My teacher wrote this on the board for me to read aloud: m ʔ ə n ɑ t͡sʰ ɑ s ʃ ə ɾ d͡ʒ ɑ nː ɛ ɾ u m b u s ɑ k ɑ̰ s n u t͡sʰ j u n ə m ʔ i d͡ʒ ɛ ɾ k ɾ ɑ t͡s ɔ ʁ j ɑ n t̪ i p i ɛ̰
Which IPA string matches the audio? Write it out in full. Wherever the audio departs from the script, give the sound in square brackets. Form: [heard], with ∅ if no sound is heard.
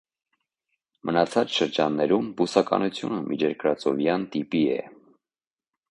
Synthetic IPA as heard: m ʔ ə n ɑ t͡sʰ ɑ [t͡s] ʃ ə ɾ d͡ʒ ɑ nː ɛ ɾ u m b u s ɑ k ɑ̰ [∅] n u t͡sʰ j u n ə m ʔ i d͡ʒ ɛ ɾ k ɾ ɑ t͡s ɔ [v] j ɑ n t̪ i p i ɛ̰